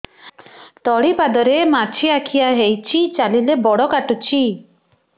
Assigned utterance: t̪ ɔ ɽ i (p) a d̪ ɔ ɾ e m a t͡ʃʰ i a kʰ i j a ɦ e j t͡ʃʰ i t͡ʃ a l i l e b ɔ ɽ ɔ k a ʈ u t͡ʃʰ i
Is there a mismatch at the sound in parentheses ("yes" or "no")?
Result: no